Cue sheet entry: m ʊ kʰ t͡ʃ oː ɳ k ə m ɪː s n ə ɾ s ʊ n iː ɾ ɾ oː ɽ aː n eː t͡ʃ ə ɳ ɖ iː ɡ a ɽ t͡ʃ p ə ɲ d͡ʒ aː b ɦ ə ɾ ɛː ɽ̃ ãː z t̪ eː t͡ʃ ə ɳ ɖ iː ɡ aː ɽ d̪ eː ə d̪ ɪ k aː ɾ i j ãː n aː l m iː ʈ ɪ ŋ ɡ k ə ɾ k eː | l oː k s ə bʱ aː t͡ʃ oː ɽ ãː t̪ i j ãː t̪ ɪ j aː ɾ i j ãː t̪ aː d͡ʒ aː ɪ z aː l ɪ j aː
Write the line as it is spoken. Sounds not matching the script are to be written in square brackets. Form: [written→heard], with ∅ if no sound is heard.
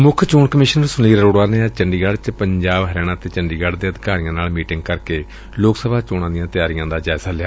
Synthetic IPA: m ʊ kʰ t͡ʃ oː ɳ k ə m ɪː [s→ʃ] n ə ɾ s ʊ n iː ɾ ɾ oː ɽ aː n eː t͡ʃ ə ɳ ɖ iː ɡ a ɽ t͡ʃ p ə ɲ d͡ʒ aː b ɦ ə ɾ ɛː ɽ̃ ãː [z→∅] t̪ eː t͡ʃ ə ɳ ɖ iː ɡ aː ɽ d̪ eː ə d̪ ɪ k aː ɾ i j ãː n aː l m iː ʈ ɪ ŋ ɡ k ə ɾ k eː | l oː k s ə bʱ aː t͡ʃ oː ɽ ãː [t̪→d̪] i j ãː t̪ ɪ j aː ɾ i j ãː [t̪→d̪] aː d͡ʒ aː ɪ z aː l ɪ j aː